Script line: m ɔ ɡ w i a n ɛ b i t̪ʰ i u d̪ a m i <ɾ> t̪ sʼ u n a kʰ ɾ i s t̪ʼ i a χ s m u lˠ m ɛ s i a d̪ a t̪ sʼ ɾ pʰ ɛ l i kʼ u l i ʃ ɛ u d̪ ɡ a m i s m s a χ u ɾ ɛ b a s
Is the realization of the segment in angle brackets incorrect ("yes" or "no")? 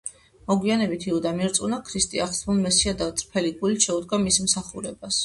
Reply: no